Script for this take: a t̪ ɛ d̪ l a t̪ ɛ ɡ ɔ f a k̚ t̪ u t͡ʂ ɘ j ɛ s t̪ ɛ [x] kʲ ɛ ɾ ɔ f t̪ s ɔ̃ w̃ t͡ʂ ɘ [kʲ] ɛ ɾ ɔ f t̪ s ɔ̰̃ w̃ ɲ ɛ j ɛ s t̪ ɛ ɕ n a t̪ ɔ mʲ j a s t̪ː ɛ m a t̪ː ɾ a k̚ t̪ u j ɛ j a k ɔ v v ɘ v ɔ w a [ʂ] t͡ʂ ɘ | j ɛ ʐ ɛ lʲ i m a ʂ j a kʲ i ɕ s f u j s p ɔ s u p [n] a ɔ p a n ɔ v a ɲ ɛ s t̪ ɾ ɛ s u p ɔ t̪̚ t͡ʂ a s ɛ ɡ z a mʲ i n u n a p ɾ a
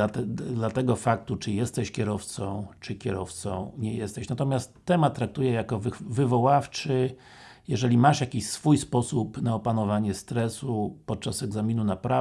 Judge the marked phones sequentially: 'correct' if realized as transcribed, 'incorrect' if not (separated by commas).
incorrect, correct, incorrect, correct